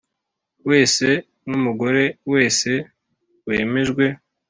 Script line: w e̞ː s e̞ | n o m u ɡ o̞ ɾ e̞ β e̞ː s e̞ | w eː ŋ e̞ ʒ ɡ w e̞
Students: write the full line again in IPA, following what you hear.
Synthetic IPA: w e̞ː s e̞ | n u m u ɡ o̞ ɾ e̞ w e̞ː s e̞ | w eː m e̞ ʒ ɡ w e̞

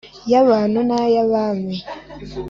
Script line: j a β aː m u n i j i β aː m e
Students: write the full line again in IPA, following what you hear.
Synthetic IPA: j a β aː n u n a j a β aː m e

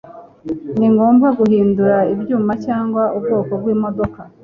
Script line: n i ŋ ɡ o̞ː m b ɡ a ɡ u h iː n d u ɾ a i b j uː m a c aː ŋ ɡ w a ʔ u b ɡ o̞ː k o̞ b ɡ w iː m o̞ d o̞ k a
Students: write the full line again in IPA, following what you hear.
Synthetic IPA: n i ŋ ɡ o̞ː m b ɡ a ɡ u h iː n d u ɾ a i b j uː m a c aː ŋ ɡ w a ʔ u b ɡ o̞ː k o̞ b ɡ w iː m o̞ d o̞ k a

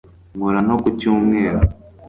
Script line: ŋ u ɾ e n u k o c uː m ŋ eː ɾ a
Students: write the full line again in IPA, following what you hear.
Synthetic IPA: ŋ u ɾ a n o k u c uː m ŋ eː ɾ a

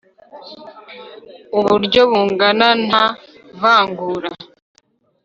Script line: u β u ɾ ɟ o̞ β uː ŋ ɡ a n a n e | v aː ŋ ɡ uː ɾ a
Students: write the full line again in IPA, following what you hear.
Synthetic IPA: u β u ɾ ɟ o̞ β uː ŋ ɡ a n a n a | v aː ŋ ɡ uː ɾ a

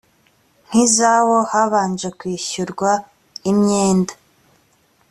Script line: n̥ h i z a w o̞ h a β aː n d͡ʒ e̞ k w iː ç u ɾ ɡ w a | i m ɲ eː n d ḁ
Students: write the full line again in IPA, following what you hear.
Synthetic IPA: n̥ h i z a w o̞ h a β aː n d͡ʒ e̞ k w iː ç u ɾ ɡ w a | i m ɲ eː n d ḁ

